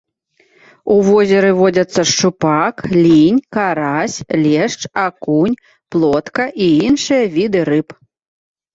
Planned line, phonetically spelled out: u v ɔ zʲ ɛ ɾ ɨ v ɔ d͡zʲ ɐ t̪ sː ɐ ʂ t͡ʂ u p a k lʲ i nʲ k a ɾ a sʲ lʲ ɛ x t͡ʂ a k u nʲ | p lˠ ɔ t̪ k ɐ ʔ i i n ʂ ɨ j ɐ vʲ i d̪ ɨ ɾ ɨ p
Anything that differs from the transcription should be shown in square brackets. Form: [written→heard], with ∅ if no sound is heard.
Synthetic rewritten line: u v ɔ zʲ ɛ ɾ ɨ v ɔ d͡zʲ ɐ t̪ sː ɐ ʂ t͡ʂ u p a k lʲ i nʲ k a ɾ a sʲ lʲ ɛ [x→ʂ] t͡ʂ a k u nʲ | p lˠ ɔ t̪ k ɐ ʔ i i n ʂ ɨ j ɐ vʲ i d̪ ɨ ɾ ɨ p